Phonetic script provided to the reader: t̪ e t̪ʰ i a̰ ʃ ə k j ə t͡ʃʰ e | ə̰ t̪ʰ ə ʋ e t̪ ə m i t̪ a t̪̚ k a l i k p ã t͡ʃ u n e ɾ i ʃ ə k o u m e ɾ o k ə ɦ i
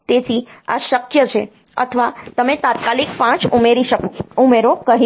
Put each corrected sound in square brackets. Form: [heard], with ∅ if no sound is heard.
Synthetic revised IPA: t̪ e t̪ʰ i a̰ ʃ ə k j ə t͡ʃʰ e | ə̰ t̪ʰ ə ʋ [a] t̪ ə m [e] t̪ a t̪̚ k a l i k p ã t͡ʃ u [m] e ɾ i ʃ ə k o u m e ɾ o k ə ɦ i